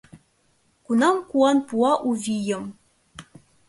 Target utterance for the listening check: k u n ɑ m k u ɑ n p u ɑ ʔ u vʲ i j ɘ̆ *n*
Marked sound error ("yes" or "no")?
yes